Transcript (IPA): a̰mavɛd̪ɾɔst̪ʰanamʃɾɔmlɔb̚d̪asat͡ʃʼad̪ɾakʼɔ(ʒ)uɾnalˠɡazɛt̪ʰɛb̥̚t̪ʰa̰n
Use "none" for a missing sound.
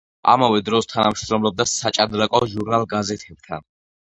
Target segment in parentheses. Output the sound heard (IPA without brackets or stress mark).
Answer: ʒ